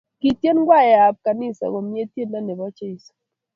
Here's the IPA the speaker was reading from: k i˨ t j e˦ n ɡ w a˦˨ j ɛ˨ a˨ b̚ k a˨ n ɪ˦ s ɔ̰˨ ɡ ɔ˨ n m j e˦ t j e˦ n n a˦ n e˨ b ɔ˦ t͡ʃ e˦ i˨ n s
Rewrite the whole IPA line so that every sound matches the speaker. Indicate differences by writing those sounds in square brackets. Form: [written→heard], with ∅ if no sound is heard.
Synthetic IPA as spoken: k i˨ t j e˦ n ɡ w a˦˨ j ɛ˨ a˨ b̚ k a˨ n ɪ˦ s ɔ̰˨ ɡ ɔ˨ [n→∅] m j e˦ t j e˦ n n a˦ n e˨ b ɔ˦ t͡ʃ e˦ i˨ [n→∅] s

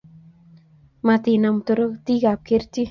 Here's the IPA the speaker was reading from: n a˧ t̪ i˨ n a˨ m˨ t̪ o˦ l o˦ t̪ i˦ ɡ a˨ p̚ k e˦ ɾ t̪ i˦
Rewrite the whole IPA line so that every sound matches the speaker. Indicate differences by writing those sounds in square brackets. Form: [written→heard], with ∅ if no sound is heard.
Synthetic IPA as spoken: [n→m] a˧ t̪ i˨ n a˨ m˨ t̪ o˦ [l→ɾ] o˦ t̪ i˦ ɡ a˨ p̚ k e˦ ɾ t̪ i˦

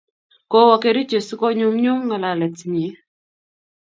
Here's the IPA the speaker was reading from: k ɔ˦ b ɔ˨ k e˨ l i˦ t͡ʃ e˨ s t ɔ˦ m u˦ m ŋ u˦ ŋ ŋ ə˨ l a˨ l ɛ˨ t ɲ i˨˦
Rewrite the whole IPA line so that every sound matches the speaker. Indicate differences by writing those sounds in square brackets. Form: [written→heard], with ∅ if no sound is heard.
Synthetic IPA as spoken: k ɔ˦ [b→w] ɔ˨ k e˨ [l→ɾ] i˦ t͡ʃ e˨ s [t→k] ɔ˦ [m→ɲ] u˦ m [ŋ→ɲ] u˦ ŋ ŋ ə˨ l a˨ l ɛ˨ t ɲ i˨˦

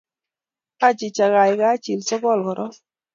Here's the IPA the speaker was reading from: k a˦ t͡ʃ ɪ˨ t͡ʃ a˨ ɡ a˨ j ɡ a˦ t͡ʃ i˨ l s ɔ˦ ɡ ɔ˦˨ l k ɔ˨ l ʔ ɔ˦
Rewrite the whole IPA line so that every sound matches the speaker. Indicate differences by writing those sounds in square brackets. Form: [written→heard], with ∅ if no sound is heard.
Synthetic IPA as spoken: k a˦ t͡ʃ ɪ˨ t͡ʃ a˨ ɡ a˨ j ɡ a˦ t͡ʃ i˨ l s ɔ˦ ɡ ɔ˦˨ l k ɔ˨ [l→ɾ] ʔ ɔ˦

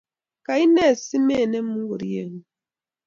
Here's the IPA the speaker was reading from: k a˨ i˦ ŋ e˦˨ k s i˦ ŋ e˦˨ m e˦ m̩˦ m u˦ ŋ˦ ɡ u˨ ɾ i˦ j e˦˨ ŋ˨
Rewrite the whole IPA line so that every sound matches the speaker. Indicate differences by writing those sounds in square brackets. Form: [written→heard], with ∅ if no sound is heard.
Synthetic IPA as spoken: k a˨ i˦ [ŋ→n] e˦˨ [k→∅] s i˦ [ŋ→m] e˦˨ [m→n] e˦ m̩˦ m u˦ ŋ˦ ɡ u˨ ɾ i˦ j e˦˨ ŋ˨

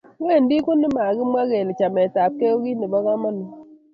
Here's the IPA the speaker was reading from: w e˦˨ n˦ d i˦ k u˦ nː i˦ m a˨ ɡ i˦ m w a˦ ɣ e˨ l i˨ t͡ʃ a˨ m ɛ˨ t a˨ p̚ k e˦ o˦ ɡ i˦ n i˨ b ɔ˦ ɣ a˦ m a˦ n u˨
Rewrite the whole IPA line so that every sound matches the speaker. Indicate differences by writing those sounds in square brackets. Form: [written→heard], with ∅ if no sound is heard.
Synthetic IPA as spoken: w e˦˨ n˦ d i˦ k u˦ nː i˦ m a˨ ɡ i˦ m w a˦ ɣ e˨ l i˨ t͡ʃ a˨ m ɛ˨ t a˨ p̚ k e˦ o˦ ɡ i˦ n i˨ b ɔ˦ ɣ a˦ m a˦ n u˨

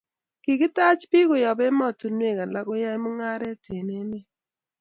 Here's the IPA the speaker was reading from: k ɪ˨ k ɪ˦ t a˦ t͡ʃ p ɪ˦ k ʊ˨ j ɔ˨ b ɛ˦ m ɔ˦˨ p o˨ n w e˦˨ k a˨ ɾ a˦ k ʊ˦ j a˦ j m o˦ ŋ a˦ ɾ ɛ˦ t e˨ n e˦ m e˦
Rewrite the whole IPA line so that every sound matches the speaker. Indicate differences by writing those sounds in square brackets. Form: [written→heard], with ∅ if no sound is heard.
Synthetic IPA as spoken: k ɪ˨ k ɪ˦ t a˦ t͡ʃ p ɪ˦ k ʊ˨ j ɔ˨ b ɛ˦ m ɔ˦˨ [p→t] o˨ n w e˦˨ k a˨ [ɾ→l] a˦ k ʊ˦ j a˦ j m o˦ ŋ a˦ ɾ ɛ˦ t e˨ n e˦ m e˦

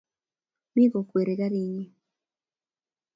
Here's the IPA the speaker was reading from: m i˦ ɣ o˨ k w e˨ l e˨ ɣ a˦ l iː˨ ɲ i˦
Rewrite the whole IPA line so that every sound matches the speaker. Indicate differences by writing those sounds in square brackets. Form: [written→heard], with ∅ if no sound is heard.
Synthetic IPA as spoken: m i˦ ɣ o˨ k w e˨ [l→ɾ] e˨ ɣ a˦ [l→ɾ] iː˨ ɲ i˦

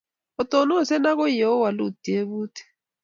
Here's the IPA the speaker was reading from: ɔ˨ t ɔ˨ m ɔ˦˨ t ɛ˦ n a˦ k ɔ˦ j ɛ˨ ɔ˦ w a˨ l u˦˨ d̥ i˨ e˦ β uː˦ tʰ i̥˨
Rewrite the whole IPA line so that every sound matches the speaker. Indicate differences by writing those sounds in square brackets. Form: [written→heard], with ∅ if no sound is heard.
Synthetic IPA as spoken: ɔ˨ t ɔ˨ [m→n] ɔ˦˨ [t→s] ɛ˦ n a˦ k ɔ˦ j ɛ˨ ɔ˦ w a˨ l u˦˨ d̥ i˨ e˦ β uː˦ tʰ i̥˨

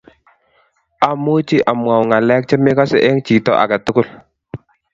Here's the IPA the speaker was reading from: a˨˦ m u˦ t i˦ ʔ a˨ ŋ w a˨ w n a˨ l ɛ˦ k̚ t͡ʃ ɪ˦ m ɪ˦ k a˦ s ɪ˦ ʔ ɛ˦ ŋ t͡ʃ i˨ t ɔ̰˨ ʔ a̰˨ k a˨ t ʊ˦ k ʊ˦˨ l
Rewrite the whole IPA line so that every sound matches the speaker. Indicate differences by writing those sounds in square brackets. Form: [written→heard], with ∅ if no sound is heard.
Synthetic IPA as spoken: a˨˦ m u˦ [t→t͡ʃ] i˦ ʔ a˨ [ŋ→m] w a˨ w [n→ŋ] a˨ l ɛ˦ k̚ t͡ʃ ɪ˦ m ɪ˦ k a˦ s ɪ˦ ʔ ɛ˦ ŋ t͡ʃ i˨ t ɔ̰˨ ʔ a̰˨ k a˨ t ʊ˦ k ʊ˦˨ l

